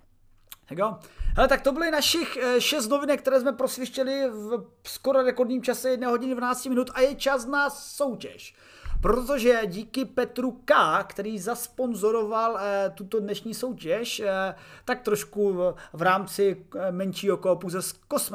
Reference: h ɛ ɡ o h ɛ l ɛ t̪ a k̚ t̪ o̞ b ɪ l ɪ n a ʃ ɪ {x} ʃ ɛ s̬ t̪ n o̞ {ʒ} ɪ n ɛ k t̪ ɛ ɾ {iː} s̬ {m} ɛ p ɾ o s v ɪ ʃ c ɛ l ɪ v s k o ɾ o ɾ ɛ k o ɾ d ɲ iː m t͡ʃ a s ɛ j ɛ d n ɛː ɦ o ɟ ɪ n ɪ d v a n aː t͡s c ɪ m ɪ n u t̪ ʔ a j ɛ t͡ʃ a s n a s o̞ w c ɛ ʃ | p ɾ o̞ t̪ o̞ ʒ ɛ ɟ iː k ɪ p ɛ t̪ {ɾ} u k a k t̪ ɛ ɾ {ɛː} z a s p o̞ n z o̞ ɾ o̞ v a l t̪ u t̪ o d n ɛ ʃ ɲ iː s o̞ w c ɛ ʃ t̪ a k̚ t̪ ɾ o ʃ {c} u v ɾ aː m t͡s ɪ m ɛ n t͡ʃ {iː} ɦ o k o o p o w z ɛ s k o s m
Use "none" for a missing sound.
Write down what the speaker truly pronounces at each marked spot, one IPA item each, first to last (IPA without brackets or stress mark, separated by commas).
x, v, ɛː, m, ɾ, iː, k, iː